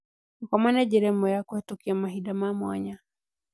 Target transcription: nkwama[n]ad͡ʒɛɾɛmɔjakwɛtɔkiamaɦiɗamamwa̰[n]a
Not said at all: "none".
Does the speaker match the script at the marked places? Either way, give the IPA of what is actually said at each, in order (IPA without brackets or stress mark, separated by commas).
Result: n, ɲ